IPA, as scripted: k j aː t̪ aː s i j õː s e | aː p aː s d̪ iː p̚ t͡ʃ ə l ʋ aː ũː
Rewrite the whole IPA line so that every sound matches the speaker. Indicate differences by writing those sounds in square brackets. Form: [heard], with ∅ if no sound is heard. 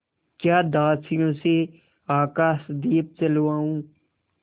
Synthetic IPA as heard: k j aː [d̪] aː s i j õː s e | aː [k] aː s d̪ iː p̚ t͡ʃ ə l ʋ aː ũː

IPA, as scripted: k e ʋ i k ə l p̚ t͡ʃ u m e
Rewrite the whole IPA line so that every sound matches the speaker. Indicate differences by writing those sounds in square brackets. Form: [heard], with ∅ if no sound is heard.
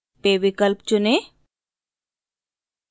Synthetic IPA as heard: [p] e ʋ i k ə l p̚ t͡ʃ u [n] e

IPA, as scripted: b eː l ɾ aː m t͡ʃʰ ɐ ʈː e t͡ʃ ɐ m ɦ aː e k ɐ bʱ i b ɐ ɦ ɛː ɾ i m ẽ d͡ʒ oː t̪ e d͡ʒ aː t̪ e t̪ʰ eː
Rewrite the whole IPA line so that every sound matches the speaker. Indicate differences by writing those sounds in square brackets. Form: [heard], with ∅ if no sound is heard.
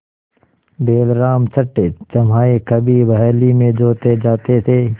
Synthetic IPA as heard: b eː l ɾ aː m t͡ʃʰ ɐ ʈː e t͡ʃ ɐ m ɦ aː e k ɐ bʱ i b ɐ ɦ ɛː [l] i m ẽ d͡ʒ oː t̪ e d͡ʒ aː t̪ e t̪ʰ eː

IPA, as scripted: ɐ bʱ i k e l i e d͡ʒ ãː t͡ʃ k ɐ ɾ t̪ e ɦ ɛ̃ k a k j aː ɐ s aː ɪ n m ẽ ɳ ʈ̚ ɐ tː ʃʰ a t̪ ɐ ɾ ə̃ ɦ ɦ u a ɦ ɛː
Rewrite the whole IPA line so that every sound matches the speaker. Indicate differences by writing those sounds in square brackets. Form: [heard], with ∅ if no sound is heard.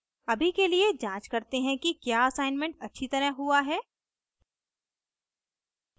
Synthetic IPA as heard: ɐ bʱ i k e l i e d͡ʒ ãː t͡ʃ k ɐ ɾ t̪ e ɦ ɛ̃ k [i] k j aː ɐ s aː ɪ n m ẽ ɳ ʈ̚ ɐ tː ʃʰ [i] t̪ ɐ ɾ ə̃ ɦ ɦ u a ɦ ɛː

